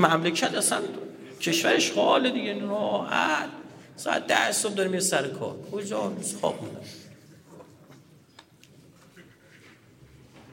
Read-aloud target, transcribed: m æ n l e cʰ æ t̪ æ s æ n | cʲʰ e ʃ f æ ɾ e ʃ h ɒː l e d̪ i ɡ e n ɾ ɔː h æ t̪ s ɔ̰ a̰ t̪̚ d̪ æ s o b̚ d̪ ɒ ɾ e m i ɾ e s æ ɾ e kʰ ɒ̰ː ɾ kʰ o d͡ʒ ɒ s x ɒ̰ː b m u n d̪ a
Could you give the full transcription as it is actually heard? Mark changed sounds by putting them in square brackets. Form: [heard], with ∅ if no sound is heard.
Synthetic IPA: m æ [m] l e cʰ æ t̪ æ s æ n | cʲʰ e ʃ [v] æ ɾ e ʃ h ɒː l e d̪ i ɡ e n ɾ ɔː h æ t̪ s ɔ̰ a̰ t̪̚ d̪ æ s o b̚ d̪ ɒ ɾ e m i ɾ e s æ ɾ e kʰ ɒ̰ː ɾ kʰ o d͡ʒ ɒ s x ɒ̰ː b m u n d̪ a